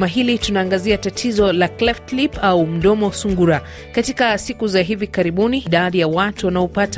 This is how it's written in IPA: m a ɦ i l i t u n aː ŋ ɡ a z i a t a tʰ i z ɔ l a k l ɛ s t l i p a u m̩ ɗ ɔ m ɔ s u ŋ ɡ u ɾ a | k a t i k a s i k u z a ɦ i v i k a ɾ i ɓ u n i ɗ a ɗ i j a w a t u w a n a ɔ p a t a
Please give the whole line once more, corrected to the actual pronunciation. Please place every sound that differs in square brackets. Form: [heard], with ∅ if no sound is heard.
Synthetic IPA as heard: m a ɦ i l i t u n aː ŋ ɡ a z i a t a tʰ i z ɔ l a k l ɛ [f] t l i p a u m̩ ɗ ɔ m ɔ s u ŋ ɡ u ɾ a | k a t i k a s i k u z a ɦ i v i k a ɾ i ɓ u n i ɗ a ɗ i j a w a t u w a n a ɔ p a t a